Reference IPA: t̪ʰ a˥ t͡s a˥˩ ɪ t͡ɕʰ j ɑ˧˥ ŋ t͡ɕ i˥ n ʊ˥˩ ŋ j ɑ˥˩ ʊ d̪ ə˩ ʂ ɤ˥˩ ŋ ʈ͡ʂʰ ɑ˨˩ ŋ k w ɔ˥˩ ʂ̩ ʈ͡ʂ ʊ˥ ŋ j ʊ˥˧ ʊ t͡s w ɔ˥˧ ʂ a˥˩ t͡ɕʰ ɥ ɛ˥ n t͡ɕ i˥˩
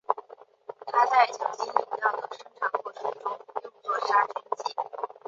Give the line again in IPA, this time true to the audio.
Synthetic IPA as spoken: t̪ʰ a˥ t͡s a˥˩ ɪ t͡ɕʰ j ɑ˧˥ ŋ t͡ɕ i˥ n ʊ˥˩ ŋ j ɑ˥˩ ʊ d̪ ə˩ ʂ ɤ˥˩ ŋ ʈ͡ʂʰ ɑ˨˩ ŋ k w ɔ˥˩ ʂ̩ ʈ͡ʂ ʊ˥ ŋ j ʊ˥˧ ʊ t͡s w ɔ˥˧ ʂ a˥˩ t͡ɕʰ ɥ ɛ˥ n t͡ɕ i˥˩